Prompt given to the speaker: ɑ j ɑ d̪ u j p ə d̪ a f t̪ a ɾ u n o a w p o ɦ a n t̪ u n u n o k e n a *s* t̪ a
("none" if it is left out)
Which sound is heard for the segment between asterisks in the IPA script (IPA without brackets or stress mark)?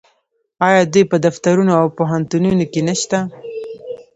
ʃ